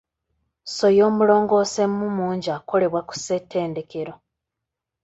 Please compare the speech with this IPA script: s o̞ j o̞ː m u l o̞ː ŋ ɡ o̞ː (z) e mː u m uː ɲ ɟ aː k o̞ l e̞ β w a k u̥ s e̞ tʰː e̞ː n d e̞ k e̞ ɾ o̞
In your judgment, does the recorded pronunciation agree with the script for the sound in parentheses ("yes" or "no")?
no